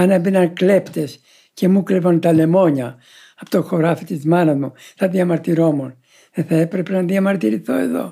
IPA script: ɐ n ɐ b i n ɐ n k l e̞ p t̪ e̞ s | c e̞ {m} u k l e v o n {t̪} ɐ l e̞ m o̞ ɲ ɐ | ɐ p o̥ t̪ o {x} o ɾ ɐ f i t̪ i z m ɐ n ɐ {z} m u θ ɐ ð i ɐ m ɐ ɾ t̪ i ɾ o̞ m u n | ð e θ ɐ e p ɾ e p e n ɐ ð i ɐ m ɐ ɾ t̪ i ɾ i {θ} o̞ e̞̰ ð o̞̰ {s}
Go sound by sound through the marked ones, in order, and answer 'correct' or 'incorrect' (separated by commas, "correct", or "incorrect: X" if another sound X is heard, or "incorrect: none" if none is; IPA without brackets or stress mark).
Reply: correct, correct, correct, correct, correct, incorrect: none